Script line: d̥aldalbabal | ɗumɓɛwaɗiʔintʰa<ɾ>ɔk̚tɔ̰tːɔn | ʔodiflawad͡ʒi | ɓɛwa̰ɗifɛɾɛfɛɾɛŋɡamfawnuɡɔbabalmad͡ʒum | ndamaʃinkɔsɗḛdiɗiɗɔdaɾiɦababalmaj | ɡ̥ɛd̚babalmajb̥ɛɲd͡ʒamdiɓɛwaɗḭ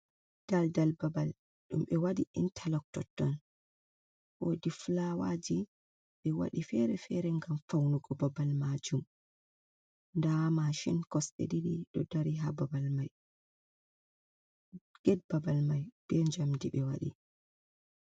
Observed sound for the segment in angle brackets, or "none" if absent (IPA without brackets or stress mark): l